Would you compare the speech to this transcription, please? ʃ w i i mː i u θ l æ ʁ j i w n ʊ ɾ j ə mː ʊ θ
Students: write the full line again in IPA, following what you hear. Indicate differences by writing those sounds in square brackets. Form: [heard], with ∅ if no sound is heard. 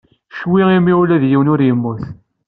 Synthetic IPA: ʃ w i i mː i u [∅] l æ [ð] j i w n ʊ ɾ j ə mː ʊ θ

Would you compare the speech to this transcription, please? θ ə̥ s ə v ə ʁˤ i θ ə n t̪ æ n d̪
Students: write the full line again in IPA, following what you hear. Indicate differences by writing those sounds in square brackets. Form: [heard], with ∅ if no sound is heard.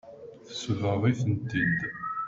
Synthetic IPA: θ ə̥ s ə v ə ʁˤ i θ ə n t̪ [i] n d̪

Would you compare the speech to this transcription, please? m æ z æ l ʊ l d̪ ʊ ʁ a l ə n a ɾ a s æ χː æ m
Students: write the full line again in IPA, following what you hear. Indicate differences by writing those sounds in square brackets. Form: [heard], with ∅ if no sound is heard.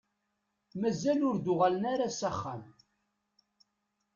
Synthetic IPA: m æ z æ l ʊ [ɾ] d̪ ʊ ʁ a l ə n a ɾ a s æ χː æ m

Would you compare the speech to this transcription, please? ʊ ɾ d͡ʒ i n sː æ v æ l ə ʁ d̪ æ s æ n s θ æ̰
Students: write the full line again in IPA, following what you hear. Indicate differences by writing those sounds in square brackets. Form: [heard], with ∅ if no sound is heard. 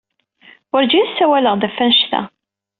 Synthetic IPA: ʊ ɾ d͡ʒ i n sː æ [w] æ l ə ʁ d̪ æ [f] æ n [ʃ] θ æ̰

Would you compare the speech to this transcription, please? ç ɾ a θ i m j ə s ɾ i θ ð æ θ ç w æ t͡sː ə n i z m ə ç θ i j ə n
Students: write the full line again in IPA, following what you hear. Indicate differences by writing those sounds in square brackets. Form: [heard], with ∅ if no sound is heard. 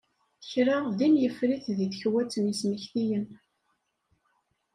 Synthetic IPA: ç ɾ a [ð] i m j ə [f] ɾ i θ ð [i] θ ç w æ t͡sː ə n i [s] m ə ç θ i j ə n

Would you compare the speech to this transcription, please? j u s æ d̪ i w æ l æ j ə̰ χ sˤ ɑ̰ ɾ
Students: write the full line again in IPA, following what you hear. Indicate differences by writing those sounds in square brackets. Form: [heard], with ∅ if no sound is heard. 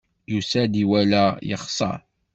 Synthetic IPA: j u s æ d̪ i w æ l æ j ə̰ χ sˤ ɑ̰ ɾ

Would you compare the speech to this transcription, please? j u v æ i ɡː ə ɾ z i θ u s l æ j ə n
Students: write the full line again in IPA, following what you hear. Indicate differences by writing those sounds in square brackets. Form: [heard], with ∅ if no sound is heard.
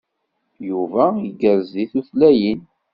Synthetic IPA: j u v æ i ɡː ə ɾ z i θ u [θ] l æ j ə n

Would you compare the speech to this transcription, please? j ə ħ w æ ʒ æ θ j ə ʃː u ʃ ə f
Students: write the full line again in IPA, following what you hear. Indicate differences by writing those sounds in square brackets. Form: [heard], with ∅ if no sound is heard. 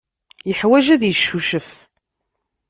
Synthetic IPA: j ə ħ w æ ʒ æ [ð] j ə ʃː u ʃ ə f

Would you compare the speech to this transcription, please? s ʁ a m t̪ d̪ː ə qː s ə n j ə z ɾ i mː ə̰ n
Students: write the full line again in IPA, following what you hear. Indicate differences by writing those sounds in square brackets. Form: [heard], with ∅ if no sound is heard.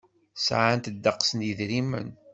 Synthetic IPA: s [ʕ] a [n] t̪ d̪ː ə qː s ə n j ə [ð] ɾ i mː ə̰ n

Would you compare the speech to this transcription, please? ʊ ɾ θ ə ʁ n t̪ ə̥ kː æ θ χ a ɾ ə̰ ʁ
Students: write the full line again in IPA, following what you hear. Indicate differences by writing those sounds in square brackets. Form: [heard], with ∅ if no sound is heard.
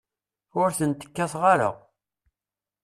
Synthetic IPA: ʊ ɾ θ ə [∅] n t̪ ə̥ kː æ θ [ʁ] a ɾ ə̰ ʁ

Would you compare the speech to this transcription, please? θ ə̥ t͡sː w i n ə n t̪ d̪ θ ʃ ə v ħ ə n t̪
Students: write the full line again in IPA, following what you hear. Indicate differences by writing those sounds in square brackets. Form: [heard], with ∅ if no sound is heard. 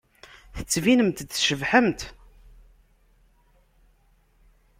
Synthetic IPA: θ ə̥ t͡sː [v] i n ə [m] t̪ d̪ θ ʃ ə v ħ ə [m] t̪

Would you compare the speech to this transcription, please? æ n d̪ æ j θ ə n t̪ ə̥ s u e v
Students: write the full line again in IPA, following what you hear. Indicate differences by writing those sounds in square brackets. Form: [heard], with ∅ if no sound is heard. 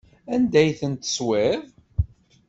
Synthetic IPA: æ n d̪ æ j θ ə n t̪ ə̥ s [w] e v

